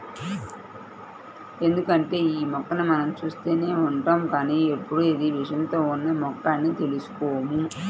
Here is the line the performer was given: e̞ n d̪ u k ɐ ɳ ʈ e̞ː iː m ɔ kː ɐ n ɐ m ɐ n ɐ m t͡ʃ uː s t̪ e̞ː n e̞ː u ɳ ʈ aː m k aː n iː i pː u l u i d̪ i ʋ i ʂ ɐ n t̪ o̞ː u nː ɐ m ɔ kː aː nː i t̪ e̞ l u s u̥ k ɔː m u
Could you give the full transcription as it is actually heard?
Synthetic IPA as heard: e̞ n d̪ u k ɐ ɳ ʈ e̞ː iː m ɔ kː ɐ n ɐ m ɐ n ɐ m t͡ʃ uː s t̪ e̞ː n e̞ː u ɳ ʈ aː m k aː n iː e pː u ɽ u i d̪ i ʋ i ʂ ɐ n t̪ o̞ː u nː ɐ m ɔ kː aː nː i t̪ e̞ l u s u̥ k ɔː m u